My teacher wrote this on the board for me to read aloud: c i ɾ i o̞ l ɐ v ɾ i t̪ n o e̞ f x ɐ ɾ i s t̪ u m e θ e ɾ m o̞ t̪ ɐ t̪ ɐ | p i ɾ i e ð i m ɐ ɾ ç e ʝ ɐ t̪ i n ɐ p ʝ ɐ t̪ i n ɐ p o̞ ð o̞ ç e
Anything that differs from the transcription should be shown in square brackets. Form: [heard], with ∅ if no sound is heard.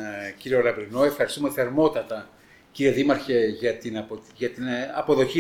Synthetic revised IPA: c i ɾ i o̞ l ɐ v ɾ i [∅] n o e̞ f x ɐ ɾ i s t̪ u m e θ e ɾ m o̞ t̪ ɐ t̪ ɐ | [c] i ɾ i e ð i m ɐ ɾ ç e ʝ ɐ t̪ i n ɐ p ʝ ɐ t̪ i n ɐ p o̞ ð o̞ ç [i]